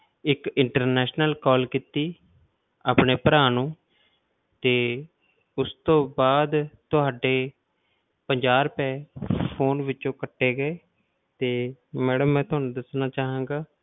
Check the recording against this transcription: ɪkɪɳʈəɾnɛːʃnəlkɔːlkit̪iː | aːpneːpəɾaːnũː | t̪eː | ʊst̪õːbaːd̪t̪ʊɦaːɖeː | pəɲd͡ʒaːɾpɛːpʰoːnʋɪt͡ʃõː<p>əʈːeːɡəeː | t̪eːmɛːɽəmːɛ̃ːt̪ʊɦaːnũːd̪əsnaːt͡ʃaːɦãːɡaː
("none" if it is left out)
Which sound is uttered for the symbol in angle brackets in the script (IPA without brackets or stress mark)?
k